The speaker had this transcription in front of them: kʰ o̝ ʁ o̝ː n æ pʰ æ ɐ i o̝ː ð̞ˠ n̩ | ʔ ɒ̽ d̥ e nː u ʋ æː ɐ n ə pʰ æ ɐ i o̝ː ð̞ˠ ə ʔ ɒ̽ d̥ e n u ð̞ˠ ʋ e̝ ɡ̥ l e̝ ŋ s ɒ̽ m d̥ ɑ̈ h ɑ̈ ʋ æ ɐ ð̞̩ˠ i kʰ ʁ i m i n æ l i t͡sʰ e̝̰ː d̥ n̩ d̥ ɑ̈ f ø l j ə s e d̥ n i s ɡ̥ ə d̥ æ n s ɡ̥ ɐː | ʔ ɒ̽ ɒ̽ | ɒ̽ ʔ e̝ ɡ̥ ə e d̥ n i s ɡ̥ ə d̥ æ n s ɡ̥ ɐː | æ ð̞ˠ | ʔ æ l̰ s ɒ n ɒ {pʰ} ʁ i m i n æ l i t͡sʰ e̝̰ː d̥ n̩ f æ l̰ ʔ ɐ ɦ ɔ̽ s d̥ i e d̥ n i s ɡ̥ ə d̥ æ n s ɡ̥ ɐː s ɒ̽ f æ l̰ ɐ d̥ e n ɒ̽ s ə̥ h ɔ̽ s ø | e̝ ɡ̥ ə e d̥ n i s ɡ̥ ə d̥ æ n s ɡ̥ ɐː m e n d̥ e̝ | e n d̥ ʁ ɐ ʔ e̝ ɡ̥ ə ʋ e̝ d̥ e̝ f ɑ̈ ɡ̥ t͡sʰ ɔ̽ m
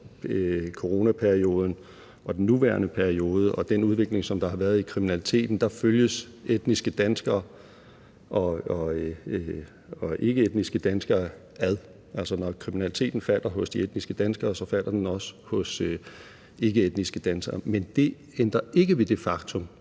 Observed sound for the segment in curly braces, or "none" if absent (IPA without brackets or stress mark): kʰ